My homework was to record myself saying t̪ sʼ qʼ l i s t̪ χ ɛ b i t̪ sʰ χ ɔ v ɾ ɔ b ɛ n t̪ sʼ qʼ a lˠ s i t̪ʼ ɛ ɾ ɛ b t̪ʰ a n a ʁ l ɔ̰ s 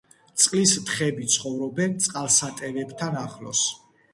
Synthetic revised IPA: t̪ sʼ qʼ l i s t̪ χ ɛ b i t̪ sʰ χ ɔ v ɾ ɔ b ɛ n t̪ sʼ qʼ a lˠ s a t̪ʼ ɛ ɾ ɛ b t̪ʰ a n a χ l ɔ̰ s